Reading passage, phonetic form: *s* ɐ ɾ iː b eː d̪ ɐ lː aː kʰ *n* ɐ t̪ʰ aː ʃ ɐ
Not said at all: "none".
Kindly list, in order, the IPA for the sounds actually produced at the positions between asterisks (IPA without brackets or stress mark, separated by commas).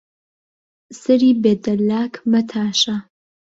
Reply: s, m